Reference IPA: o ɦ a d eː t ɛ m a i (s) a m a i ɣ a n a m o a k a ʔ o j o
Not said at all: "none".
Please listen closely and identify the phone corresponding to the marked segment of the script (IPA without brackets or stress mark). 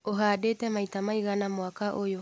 t